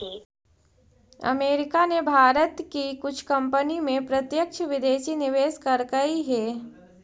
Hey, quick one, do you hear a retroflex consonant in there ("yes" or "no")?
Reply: no